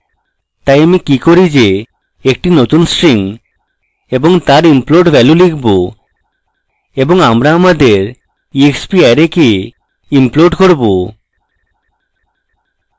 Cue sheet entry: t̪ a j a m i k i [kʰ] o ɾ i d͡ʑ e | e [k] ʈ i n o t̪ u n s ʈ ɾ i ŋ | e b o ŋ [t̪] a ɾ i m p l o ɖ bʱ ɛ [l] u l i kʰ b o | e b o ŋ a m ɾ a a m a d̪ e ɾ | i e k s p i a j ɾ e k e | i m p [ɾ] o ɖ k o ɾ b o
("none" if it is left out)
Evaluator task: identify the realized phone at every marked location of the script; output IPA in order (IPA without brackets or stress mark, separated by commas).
k, k, t̪, l, l